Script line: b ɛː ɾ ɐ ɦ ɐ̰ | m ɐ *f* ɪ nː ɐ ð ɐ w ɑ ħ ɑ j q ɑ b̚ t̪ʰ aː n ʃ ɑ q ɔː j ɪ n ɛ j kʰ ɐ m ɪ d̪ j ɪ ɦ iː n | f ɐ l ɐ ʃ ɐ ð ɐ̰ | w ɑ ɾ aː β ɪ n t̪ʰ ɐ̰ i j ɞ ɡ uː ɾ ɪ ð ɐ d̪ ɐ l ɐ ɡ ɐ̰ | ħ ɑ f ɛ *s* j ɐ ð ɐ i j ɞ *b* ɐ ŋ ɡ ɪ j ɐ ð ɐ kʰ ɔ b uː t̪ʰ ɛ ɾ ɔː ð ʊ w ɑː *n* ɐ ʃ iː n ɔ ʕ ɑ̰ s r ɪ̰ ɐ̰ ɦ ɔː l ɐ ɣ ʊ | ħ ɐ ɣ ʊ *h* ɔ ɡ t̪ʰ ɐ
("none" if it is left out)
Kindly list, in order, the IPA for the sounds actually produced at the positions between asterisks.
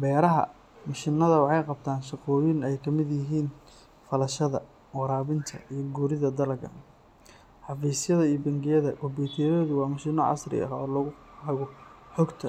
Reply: ʃ, s, b, m, ħ

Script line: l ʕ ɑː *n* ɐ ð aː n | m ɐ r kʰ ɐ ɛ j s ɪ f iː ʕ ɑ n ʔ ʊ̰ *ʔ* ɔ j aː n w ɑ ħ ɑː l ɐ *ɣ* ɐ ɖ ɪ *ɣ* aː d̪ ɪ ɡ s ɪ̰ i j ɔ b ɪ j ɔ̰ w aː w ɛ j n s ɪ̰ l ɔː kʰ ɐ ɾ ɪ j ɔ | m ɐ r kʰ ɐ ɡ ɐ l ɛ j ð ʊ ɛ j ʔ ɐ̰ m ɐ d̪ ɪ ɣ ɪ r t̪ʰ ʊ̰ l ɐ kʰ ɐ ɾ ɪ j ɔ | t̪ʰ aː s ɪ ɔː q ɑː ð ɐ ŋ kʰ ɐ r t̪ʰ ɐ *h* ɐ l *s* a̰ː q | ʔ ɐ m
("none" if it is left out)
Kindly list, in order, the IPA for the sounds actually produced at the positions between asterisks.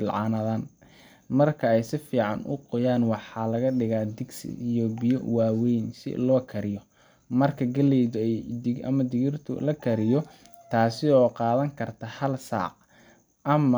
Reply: n, q, ɣ, ɣ, h, s

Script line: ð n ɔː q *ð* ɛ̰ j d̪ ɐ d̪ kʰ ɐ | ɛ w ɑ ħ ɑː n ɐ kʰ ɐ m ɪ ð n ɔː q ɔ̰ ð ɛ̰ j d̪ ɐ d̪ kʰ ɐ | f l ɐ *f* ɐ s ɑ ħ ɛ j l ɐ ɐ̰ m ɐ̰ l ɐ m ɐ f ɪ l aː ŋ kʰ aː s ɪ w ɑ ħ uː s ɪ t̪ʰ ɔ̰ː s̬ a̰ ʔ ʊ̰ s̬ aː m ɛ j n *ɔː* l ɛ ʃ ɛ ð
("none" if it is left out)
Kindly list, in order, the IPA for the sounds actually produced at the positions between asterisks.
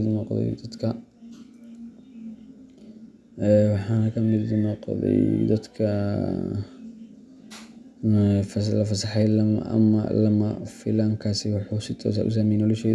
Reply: ð, f, ɔ

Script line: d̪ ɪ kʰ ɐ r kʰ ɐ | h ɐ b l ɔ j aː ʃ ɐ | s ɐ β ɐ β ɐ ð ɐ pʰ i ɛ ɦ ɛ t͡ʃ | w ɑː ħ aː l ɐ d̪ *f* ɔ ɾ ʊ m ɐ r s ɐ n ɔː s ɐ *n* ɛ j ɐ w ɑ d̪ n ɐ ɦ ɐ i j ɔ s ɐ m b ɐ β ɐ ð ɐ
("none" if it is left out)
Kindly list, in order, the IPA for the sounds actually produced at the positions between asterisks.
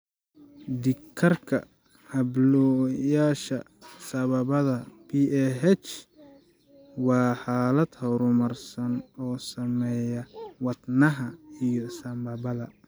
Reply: h, m

